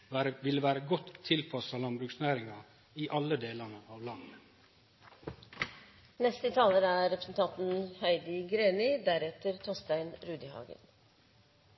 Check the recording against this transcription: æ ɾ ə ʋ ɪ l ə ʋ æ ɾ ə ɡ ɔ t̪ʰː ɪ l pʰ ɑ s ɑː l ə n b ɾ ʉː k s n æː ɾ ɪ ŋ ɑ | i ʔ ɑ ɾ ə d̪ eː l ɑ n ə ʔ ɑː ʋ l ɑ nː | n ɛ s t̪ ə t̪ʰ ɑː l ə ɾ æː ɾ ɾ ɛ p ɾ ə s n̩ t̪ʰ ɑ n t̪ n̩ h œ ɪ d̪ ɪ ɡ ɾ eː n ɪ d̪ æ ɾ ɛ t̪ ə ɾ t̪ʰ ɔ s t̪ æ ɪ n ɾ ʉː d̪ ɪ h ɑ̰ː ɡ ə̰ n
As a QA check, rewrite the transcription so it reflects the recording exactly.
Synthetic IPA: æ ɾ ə ʋ ɪ l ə ʋ æː ɾ ə ɡ ɔ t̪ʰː ɪ l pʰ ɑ s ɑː l ɑ n b ɾ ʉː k s n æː ɾ ɪ ŋ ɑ | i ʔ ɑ l ə d̪ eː l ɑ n ə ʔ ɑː ʋ l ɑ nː | n ɛ s t̪ ə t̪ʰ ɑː l ə ɾ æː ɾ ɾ ɛ p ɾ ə s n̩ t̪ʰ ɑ n t̪ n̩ h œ ɪ d̪ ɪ ɡ ɾ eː n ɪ d̪ æ ɾ ɛ t̪ ə ɾ t̪ʰ ɔ s t̪ æ ɪ n ɾ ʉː d̪ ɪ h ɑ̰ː ɡ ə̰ n